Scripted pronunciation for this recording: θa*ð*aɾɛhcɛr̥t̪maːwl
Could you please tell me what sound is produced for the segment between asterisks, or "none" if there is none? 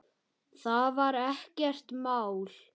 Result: v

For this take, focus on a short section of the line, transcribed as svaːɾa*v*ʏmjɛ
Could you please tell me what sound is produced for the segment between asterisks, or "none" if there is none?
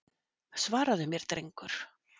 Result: ð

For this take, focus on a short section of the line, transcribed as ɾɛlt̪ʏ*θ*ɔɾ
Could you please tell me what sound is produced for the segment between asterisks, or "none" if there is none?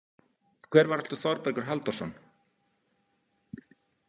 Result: θ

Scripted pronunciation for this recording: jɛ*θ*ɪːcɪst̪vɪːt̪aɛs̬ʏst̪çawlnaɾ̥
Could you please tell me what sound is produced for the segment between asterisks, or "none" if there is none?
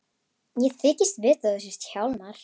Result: θ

